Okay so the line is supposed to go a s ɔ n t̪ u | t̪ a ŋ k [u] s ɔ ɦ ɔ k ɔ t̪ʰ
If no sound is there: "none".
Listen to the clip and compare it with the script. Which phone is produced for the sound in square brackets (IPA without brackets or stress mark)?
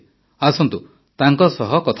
ɔ